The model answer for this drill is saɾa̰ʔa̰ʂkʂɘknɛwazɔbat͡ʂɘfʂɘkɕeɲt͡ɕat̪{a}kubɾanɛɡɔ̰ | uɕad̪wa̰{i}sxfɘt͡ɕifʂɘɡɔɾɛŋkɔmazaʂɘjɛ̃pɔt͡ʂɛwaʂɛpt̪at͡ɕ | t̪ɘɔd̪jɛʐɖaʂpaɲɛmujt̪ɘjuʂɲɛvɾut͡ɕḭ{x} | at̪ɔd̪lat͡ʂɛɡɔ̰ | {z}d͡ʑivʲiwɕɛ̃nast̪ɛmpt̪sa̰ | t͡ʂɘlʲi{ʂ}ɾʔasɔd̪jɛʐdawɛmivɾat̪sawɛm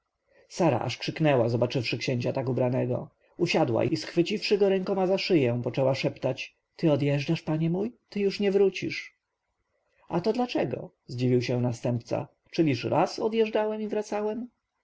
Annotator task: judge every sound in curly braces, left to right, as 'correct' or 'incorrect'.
correct, correct, incorrect: ʂ, correct, correct

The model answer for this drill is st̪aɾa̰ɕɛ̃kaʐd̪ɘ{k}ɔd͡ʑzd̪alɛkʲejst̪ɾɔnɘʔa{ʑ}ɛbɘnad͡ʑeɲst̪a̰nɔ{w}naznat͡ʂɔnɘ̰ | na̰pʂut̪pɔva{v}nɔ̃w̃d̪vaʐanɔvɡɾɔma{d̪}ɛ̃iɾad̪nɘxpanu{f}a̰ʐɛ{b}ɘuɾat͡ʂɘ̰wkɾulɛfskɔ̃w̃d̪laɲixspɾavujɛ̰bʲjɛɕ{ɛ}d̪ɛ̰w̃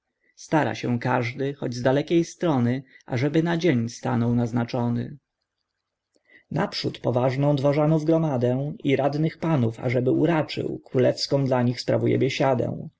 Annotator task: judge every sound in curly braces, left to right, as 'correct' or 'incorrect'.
incorrect: x, incorrect: ʐ, correct, incorrect: ʐ, correct, correct, correct, incorrect: a

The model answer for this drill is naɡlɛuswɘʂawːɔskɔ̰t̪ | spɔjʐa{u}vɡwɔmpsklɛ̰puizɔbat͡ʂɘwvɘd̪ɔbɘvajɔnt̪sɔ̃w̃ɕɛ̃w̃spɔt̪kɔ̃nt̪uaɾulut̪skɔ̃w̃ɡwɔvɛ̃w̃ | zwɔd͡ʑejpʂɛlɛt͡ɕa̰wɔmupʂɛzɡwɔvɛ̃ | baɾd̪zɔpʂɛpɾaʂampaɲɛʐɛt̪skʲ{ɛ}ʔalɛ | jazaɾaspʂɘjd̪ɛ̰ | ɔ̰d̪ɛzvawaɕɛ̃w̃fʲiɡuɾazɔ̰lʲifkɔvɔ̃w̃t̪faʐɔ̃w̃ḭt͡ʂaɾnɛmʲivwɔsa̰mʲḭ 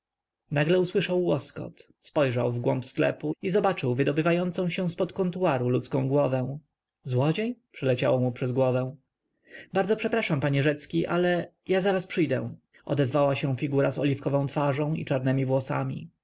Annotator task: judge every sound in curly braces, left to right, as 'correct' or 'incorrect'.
incorrect: w, incorrect: i

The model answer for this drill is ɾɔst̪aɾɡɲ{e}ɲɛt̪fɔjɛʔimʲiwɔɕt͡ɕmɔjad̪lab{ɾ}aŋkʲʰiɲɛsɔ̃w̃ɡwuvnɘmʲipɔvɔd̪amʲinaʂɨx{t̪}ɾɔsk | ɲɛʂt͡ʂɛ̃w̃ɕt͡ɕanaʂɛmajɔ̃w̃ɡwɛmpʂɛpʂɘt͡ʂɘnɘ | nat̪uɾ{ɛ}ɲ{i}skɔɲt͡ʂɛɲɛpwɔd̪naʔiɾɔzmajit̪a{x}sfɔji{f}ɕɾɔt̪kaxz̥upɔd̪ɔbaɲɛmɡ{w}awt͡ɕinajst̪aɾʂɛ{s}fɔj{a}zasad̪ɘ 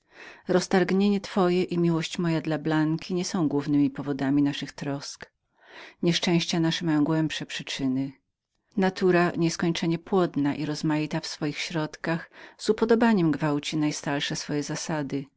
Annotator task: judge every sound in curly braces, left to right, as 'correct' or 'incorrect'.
correct, incorrect: l, correct, incorrect: a, incorrect: ɛ, incorrect: f, incorrect: x, incorrect: v, correct, incorrect: ɛ

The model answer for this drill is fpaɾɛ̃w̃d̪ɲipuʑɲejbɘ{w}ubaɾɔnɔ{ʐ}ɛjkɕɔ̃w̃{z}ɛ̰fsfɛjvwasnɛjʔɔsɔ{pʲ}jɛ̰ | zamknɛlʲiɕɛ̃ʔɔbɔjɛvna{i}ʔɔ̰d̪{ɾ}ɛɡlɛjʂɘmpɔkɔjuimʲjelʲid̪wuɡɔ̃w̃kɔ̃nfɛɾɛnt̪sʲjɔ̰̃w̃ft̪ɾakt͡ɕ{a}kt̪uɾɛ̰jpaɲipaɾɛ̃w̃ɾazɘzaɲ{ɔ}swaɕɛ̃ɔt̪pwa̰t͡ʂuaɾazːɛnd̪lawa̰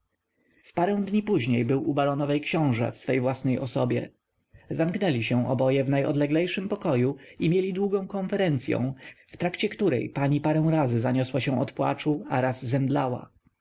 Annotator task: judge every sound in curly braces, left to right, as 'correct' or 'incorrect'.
correct, incorrect: v, incorrect: ʐ, incorrect: bʲ, incorrect: j, incorrect: l, incorrect: ɛ, correct

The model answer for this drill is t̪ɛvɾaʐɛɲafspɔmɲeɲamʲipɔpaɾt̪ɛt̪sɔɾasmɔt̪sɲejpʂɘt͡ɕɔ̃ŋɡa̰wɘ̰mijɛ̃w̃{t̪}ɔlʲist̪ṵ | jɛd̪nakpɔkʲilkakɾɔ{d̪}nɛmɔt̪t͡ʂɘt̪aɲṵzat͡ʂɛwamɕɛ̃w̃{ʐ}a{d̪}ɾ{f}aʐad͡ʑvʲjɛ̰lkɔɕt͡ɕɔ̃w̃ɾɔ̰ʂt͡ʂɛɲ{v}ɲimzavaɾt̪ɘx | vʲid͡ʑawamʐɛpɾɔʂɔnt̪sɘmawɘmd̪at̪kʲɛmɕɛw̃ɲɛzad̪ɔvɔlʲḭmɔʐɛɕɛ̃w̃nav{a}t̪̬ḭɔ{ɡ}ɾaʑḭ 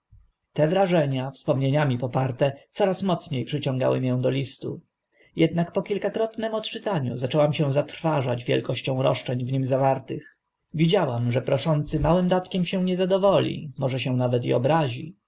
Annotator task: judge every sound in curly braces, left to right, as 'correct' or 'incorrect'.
incorrect: d̪, incorrect: t̪, incorrect: z, incorrect: t̪, correct, correct, incorrect: ɛ, incorrect: b

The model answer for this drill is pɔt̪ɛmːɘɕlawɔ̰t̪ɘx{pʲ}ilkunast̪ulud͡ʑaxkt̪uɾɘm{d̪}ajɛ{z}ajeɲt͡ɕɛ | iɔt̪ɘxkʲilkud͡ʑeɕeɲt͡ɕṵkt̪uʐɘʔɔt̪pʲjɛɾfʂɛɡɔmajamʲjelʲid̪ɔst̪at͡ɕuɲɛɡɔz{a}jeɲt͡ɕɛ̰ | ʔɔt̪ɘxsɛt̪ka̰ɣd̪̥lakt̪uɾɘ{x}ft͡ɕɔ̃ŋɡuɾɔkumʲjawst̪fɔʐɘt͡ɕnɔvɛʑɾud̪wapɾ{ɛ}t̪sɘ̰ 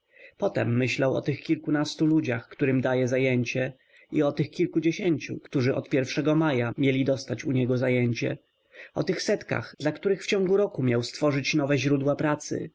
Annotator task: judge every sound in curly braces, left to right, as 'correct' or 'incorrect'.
incorrect: kʲ, correct, correct, correct, correct, incorrect: a

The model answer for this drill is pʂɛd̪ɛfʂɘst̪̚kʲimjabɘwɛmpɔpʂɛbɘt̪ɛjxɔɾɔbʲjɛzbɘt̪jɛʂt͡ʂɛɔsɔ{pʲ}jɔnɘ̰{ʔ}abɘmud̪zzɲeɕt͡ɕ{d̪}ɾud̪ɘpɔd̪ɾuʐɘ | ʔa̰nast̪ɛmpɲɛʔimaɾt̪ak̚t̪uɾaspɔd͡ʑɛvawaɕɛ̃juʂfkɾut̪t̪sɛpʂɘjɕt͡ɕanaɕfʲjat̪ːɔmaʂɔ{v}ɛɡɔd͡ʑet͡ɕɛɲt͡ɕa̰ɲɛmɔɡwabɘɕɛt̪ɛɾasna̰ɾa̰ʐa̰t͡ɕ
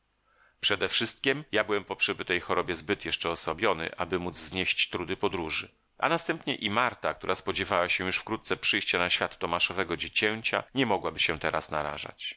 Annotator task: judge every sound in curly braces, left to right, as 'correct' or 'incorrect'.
incorrect: bʲ, correct, incorrect: t̪, correct

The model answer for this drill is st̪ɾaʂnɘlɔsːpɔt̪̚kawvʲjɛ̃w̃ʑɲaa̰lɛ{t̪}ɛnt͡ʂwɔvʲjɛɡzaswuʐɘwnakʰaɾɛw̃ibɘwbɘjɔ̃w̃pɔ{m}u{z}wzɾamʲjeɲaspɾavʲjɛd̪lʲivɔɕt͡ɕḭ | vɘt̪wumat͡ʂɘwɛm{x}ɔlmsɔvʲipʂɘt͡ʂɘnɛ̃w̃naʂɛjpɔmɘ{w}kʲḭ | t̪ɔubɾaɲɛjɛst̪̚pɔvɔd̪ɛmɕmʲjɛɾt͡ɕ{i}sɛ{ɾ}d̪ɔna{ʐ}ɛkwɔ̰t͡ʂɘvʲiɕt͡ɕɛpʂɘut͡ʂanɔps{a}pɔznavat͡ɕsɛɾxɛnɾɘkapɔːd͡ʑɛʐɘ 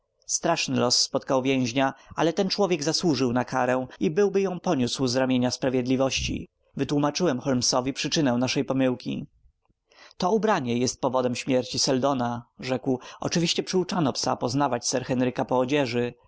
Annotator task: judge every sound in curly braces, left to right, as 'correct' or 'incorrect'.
correct, incorrect: ɲ, incorrect: s, correct, correct, correct, incorrect: l, correct, correct

